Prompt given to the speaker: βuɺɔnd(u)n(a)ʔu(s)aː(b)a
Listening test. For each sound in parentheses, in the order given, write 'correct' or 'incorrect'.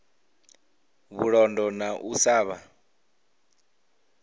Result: incorrect: ɔ, correct, correct, incorrect: β

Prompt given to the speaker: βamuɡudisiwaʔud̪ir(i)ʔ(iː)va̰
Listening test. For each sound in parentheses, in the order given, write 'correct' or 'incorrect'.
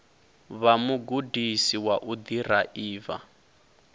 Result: incorrect: a, correct

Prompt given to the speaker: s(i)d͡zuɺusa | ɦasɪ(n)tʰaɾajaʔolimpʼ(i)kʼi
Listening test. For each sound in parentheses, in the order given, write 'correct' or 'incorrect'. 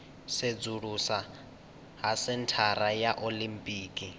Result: incorrect: e, correct, incorrect: iː

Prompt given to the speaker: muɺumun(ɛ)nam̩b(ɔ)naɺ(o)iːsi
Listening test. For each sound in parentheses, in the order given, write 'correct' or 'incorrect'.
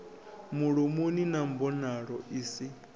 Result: incorrect: i, correct, incorrect: ɔ

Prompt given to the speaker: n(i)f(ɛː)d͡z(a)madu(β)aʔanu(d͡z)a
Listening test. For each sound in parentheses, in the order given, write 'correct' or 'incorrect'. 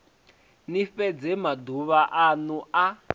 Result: correct, incorrect: ɛ, incorrect: ɛ, correct, incorrect: none

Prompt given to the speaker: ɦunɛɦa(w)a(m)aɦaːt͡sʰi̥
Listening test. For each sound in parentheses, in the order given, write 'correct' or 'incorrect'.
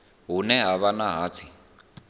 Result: incorrect: β, incorrect: n

